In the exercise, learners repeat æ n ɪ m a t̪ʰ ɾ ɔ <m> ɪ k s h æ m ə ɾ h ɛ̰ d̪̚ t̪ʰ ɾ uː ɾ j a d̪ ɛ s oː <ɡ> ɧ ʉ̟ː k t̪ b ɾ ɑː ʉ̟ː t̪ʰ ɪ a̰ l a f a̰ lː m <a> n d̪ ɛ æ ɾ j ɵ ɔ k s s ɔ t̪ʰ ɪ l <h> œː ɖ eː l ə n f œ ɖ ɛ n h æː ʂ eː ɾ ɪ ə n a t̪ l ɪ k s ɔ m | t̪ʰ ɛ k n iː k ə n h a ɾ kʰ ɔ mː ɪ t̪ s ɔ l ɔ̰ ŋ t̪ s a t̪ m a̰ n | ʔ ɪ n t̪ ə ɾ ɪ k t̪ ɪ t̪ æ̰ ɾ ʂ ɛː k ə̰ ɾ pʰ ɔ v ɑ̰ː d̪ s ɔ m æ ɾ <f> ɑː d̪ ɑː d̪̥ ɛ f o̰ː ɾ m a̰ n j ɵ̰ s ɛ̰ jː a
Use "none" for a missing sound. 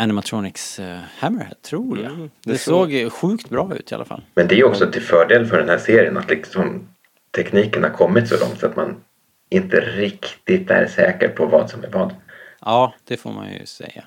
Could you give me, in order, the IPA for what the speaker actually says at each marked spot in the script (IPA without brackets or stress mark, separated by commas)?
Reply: n, ɡ, ɛ, f, v